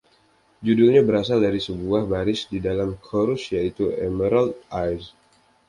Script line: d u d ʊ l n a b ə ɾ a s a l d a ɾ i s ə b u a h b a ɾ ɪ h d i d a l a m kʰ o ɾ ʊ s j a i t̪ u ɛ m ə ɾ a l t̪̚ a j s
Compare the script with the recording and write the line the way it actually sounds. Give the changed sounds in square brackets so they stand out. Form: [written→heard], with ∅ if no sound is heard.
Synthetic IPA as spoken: [d→d͡ʒ] u d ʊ l [n→ɲ] a b ə ɾ a s a l d a ɾ i s ə b u a h b a ɾ ɪ [h→s] d i d a l a m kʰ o ɾ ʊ s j a i t̪ u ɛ m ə ɾ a l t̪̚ a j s